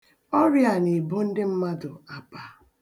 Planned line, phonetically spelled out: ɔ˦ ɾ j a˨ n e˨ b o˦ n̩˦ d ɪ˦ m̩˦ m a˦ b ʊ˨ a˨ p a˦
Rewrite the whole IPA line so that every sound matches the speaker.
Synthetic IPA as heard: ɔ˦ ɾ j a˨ n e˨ b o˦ n̩˦ d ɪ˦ m̩˦ m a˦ d ʊ˨ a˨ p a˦